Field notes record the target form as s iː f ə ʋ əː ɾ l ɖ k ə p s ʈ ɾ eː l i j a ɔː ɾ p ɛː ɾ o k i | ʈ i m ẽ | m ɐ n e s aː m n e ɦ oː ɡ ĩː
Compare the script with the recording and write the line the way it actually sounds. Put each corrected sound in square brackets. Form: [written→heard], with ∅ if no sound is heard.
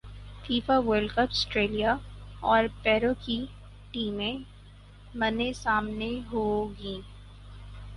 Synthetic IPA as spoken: [s→f] iː f [ə→a] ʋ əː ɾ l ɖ k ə p s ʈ ɾ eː l i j a ɔː ɾ p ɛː ɾ o k i | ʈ [i→iː] m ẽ | m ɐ n e s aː m n e ɦ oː ɡ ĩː